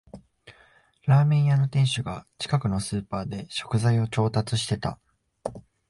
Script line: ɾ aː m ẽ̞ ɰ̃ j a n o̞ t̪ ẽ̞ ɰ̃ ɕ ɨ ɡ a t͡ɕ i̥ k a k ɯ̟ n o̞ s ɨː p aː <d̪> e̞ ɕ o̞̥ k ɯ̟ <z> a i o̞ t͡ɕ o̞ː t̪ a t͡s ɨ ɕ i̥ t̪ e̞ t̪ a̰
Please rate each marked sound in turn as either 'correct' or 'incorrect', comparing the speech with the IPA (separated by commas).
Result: correct, correct